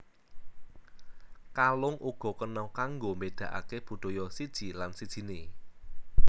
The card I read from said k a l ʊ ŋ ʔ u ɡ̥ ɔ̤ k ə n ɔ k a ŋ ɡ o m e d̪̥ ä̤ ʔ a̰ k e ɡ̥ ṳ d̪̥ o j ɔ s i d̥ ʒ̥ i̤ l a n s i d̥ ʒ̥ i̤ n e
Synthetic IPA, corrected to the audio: k a l ʊ ŋ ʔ u ɡ̥ ɔ̤ k ə n ɔ k a ŋ ɡ o m e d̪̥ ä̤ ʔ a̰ k e b̥ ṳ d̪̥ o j ɔ s i d̥ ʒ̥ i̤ l a n s i d̥ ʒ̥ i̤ n e

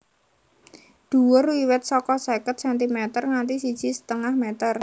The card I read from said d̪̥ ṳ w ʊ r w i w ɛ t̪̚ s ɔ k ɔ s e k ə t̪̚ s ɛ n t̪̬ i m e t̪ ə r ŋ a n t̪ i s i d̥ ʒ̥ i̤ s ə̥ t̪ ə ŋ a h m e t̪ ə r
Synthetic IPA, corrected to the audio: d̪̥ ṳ w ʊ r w i w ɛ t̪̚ s ɔ k ɔ s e k ə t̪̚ s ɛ n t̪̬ i m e t̪ ə r ŋ a n t̪ i s i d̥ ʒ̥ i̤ s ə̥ t̪ ə ŋ a h m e t̪ ə r

